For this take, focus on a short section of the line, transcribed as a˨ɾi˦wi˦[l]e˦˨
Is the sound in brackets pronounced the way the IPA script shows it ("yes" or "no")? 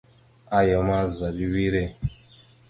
no